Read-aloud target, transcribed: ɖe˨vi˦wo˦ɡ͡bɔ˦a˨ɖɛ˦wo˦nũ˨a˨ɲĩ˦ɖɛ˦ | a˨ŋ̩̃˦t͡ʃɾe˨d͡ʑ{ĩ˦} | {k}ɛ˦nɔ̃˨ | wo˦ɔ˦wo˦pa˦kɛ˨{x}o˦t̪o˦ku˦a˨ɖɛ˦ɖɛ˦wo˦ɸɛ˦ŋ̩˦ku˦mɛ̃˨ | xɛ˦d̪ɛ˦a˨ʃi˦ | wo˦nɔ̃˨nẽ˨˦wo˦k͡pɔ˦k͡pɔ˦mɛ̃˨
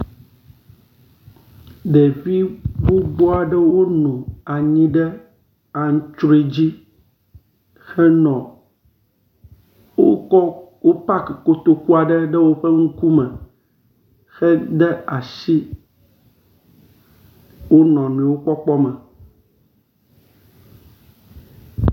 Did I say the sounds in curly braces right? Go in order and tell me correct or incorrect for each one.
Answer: incorrect: i˦, incorrect: x, incorrect: k

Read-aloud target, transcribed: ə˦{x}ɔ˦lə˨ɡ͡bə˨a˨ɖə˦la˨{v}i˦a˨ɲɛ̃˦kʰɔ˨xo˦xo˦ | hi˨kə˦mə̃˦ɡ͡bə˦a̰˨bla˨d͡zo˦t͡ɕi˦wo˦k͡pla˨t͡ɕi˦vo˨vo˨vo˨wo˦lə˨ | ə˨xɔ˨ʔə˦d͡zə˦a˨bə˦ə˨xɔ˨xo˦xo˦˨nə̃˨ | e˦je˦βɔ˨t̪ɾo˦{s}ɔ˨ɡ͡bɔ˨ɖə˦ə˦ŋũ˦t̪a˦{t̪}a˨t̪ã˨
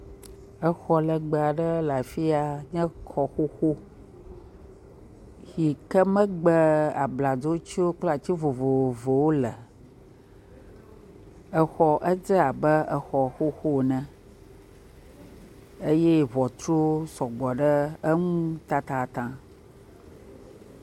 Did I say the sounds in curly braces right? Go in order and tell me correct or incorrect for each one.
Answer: correct, incorrect: f, correct, correct

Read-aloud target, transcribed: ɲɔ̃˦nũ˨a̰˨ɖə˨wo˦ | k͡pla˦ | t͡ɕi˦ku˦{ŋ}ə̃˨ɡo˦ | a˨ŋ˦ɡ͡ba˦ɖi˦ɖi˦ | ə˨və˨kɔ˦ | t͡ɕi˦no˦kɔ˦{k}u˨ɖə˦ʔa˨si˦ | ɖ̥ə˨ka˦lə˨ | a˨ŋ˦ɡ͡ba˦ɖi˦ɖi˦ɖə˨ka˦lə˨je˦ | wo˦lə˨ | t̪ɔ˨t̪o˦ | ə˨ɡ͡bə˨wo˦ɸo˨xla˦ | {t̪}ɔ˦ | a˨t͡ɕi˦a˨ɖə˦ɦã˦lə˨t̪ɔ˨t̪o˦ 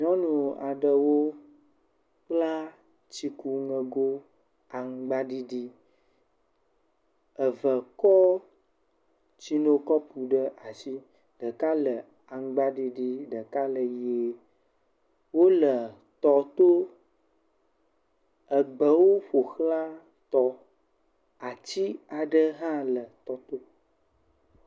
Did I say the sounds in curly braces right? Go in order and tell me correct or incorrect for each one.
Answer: correct, incorrect: p, correct

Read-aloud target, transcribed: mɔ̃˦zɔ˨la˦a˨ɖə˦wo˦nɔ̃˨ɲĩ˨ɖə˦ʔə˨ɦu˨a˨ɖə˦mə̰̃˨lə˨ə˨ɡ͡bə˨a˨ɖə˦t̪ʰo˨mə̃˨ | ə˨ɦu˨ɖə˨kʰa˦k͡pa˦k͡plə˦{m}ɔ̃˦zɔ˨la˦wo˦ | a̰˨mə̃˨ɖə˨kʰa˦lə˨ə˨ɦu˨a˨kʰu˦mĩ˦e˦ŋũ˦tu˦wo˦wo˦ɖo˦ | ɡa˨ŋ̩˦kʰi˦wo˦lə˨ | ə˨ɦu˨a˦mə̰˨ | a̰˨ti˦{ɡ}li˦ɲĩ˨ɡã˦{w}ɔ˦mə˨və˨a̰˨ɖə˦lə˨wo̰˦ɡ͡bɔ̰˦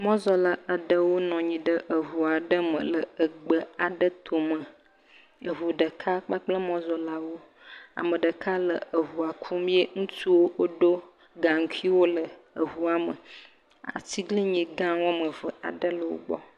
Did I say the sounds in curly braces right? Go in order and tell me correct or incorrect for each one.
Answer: correct, correct, correct

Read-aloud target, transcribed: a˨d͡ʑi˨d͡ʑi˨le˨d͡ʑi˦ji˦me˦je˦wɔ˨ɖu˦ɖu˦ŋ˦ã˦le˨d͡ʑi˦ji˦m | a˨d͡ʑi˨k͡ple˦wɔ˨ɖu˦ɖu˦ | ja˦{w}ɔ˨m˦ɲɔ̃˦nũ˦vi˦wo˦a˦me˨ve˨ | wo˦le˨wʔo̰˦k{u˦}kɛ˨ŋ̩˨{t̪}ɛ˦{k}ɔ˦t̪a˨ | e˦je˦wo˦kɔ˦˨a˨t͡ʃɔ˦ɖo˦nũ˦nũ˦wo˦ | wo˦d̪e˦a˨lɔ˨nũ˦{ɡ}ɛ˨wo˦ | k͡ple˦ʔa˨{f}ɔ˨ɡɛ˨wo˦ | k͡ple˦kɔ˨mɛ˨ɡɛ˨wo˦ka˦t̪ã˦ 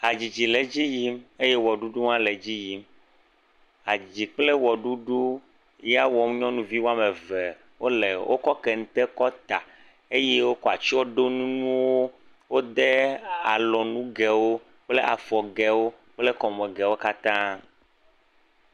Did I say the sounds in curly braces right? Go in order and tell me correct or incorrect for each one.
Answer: correct, incorrect: ɔ˦, correct, correct, correct, correct

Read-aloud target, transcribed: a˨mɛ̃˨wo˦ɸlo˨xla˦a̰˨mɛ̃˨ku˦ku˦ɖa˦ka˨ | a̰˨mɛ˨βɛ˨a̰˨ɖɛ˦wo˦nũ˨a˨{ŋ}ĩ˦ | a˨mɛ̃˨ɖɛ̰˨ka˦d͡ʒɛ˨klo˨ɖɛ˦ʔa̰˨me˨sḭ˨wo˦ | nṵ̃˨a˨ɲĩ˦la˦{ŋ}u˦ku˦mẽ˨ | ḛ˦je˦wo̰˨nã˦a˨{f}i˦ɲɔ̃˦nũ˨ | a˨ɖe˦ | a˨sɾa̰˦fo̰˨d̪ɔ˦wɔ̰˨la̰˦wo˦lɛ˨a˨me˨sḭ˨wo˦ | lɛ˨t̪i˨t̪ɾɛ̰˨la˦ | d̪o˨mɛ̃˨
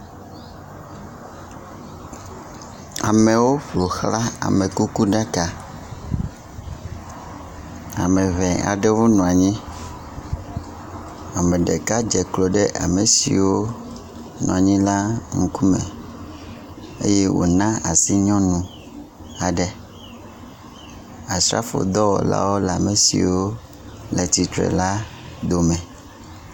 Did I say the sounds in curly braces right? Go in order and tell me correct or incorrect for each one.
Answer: incorrect: ɲ, correct, incorrect: s

